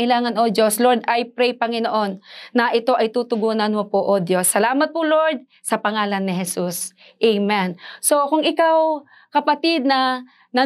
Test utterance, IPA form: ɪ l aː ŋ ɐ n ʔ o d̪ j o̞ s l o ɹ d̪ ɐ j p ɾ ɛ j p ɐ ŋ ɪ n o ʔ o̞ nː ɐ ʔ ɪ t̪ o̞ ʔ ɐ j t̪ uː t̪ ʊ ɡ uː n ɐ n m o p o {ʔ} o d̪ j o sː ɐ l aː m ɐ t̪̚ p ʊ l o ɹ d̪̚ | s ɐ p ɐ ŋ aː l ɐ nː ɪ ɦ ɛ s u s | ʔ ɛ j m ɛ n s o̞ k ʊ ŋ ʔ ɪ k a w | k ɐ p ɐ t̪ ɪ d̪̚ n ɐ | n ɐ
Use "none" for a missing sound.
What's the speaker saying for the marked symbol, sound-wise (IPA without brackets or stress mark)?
ʔ